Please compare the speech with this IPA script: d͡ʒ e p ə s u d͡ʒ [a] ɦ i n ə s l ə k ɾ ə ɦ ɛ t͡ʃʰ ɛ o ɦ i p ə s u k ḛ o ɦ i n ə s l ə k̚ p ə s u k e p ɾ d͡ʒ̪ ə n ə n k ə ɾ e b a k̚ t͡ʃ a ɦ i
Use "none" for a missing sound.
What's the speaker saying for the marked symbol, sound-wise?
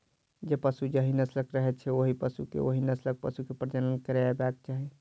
ə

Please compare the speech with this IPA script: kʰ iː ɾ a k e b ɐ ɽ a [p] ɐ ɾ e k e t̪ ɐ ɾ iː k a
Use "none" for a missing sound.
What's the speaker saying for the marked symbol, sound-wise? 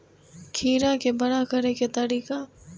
k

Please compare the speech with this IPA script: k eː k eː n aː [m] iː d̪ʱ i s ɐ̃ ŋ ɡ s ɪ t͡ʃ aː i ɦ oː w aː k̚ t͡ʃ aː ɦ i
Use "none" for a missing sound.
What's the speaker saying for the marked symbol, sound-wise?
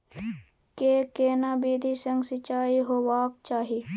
b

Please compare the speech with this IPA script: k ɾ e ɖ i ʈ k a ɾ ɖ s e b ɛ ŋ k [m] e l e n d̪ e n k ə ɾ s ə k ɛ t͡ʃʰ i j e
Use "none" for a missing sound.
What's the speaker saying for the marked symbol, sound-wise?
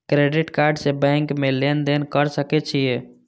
m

